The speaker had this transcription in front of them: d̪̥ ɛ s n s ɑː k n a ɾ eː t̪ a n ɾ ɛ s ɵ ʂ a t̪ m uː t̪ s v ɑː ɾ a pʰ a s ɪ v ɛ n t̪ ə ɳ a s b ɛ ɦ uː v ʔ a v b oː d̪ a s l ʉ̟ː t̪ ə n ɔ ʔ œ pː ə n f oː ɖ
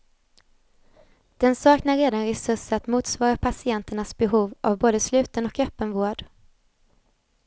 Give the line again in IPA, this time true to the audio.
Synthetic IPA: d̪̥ ɛ n s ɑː k n a ɾ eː d̪ a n ɾ ɛ s ɵ ʂ a t̪ m uː t̪ s v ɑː ɾ a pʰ a s ɪ ɛ n t̪ ə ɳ a s b ɛ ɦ uː v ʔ a v b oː d̪ ə s l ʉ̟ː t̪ ə n ɔ k œ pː ə n v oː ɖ